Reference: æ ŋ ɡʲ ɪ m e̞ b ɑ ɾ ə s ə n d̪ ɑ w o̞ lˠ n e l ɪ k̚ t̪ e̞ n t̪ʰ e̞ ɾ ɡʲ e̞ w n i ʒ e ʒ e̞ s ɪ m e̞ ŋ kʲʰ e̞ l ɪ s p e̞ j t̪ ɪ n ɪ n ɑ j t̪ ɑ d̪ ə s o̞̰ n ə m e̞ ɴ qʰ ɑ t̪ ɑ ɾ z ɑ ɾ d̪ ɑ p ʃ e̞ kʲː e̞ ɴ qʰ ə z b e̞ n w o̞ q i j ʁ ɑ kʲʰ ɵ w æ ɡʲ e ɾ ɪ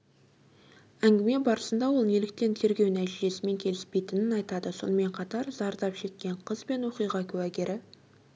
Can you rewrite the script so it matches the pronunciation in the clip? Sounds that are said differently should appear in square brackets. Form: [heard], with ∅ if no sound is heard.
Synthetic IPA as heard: æ ŋ ɡʲ ɪ m e̞ b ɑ ɾ ə s ə n d̪ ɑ w o̞ lˠ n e l ɪ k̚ t̪ e̞ n t̪ʰ e̞ ɾ ɡʲ e̞ w n [æ] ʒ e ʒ e̞ s ɪ m e̞ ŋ kʲʰ e̞ l ɪ s p e̞ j t̪ ɪ n ɪ n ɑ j t̪ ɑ d̪ ə s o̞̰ n ə m e̞ ɴ qʰ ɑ t̪ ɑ ɾ z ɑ ɾ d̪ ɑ p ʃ e̞ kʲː e̞ ɴ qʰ ə z b e̞ n w o̞ q i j ʁ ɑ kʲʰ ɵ w æ ɡʲ e ɾ ɪ